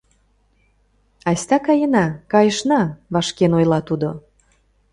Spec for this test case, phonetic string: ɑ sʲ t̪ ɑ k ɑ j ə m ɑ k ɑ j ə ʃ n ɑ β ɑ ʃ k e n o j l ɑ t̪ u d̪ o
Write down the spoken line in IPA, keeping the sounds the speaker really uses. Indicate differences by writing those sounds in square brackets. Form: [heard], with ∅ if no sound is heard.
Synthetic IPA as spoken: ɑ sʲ t̪ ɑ k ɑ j ə [n] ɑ k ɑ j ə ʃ n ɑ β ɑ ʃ k e n o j l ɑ t̪ u d̪ o